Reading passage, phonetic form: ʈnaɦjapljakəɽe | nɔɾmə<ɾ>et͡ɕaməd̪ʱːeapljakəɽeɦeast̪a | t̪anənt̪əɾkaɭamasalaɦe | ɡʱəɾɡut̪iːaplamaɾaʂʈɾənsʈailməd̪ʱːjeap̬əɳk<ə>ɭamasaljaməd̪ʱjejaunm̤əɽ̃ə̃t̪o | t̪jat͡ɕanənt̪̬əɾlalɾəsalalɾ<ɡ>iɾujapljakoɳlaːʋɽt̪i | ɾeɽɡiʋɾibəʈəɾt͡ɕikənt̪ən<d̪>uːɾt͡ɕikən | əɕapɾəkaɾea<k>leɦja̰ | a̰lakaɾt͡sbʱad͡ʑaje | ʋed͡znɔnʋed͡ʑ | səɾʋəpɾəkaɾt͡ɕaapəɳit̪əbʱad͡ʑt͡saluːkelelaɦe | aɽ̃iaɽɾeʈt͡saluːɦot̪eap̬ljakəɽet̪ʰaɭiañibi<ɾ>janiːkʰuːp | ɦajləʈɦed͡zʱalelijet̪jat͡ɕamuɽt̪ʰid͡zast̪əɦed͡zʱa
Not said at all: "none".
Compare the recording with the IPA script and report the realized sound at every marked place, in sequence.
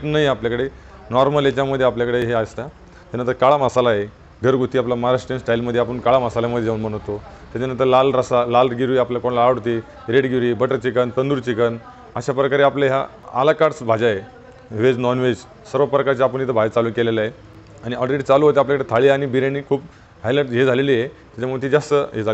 l, a, ɡ, d̪, p, ɾ

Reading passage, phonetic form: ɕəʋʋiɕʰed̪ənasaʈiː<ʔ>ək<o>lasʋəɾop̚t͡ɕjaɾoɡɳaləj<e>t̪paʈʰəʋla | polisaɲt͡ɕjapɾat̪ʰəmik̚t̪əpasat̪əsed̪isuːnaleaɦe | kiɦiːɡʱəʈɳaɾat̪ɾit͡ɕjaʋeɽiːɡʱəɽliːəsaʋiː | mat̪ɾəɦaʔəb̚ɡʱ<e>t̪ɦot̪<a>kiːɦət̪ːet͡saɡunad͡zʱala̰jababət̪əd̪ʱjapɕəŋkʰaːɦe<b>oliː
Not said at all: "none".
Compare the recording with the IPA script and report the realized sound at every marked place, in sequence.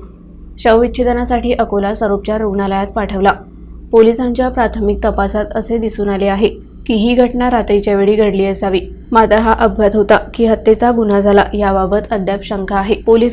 ʔ, o, a, a, a, p

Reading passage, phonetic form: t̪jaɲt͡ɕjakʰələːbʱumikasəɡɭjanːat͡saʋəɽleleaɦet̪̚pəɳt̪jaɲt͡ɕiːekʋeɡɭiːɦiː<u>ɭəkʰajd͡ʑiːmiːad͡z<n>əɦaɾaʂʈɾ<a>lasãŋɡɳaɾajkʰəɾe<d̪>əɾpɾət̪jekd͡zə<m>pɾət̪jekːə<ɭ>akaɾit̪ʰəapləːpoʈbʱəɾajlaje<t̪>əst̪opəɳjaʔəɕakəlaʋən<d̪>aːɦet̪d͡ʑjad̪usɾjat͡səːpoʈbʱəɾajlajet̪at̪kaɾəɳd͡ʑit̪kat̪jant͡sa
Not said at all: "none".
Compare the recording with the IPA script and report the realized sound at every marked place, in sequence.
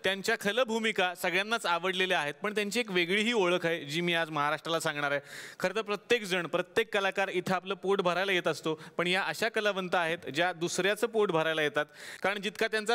o, m, a, t̪, ɳ, l, t̪, t̪

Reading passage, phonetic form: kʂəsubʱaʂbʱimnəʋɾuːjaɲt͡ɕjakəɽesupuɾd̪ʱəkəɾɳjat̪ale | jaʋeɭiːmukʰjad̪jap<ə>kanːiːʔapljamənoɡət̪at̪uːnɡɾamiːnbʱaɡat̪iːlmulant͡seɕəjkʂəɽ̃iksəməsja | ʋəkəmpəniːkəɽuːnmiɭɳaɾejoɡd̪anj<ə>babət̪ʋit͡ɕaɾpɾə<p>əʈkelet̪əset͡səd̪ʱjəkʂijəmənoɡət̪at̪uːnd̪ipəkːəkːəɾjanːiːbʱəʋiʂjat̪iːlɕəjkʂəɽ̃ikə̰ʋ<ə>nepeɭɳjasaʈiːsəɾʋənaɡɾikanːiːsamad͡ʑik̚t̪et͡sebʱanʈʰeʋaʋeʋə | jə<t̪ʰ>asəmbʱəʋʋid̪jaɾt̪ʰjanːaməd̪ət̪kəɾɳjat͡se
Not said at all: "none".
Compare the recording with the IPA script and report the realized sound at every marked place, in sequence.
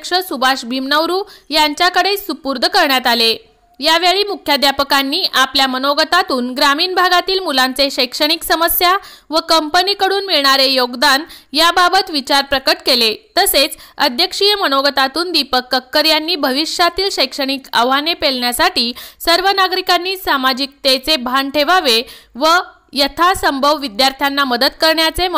ə, a, k, a, t̪ʰ

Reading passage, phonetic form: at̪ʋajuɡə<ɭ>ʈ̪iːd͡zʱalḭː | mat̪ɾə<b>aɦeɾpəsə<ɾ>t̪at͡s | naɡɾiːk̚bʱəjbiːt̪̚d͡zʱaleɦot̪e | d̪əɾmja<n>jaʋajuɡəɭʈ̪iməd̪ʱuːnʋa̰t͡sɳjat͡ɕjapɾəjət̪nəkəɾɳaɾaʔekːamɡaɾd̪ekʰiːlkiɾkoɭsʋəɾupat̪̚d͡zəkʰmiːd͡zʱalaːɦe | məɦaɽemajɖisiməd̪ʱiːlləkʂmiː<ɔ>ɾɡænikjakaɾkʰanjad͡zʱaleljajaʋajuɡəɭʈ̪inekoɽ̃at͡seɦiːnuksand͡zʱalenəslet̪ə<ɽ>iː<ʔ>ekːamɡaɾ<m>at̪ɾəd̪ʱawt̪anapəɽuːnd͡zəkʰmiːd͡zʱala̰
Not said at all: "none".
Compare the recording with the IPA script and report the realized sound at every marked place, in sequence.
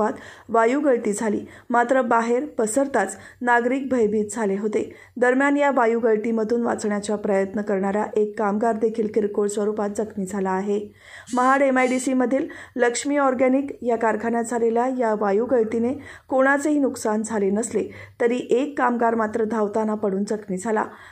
ɭ, b, ɾ, n, ɔ, ɾ, ʔ, m

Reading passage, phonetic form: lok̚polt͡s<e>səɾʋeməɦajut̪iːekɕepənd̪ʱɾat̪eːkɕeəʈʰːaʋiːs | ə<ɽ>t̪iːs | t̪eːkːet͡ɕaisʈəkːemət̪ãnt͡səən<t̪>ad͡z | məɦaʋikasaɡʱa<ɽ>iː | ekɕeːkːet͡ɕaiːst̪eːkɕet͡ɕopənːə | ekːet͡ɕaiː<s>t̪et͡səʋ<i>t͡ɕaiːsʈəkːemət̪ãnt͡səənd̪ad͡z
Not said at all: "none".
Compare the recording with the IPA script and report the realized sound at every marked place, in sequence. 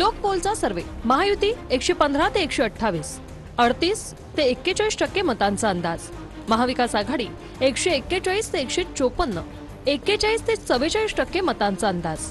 a, ɽ, d̪, ɽ, s, e

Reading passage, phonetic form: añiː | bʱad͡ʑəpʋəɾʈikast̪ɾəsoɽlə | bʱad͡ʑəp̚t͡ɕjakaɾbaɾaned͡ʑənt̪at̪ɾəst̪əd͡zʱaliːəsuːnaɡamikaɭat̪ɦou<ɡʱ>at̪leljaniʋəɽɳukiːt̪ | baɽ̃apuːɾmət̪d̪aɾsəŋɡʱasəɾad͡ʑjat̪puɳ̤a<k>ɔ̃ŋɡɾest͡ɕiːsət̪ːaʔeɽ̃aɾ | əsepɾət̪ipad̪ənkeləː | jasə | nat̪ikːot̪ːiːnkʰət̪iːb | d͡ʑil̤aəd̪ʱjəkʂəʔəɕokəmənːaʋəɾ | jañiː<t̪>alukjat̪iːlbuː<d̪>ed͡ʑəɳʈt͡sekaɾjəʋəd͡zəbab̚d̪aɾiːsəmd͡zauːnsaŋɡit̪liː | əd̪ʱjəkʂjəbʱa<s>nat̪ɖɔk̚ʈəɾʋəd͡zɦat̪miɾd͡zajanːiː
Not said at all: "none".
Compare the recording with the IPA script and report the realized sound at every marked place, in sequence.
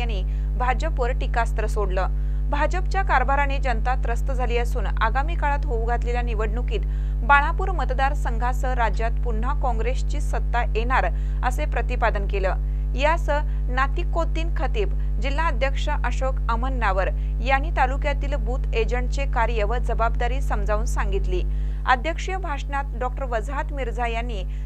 ɡʱ, k, t̪, t̪, ʂ

